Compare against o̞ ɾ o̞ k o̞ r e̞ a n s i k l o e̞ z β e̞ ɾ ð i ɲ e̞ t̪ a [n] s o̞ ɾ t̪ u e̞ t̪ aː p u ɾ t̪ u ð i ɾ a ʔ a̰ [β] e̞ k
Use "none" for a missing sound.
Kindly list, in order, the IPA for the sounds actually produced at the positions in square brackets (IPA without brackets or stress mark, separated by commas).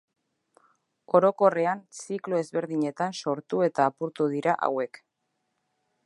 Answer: n, w